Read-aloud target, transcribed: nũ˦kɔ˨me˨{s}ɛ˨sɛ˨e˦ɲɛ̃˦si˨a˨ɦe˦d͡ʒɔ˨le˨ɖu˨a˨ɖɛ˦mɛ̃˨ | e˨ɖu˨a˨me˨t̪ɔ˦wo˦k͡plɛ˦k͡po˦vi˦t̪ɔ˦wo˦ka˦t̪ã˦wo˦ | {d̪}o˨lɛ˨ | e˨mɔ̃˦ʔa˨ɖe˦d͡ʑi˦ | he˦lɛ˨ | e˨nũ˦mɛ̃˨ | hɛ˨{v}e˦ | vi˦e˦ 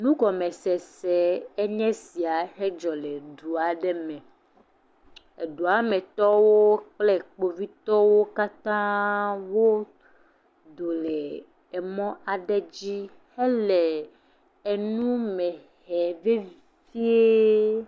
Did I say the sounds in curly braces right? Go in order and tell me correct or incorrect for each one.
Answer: correct, correct, correct

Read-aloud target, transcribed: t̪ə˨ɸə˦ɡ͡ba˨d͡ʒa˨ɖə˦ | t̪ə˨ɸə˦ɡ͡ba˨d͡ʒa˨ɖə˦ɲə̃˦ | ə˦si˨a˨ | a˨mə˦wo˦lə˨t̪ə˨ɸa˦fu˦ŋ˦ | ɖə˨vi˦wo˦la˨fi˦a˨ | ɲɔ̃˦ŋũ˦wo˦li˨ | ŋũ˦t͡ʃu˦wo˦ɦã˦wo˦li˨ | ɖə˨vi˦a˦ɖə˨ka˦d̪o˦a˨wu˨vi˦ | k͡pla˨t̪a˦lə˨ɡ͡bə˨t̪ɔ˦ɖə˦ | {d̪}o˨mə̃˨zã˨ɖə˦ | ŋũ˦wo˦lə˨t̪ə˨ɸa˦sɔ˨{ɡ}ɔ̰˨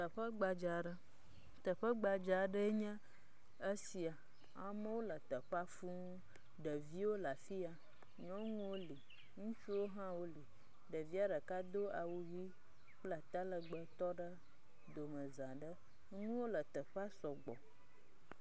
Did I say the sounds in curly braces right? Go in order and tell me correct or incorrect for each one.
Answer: correct, incorrect: ɡ͡b

